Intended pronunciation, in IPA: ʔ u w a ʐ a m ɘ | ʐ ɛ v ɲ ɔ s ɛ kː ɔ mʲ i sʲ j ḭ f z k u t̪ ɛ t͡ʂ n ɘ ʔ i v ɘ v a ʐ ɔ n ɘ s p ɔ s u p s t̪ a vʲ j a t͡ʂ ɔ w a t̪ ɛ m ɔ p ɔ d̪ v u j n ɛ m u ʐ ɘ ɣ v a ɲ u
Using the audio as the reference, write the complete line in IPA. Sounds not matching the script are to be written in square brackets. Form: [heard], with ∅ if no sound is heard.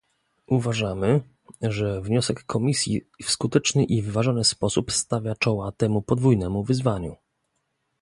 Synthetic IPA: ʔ u [v] a ʐ a m ɘ | ʐ ɛ v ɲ ɔ s ɛ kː ɔ mʲ i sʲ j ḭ f [s] k u t̪ ɛ t͡ʂ n ɘ ʔ i v ɘ v a ʐ ɔ n ɘ s p ɔ s u p s t̪ a vʲ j a t͡ʂ ɔ w a t̪ ɛ m [u] p ɔ d̪ v u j n ɛ m u [v] ɘ [z] v a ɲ u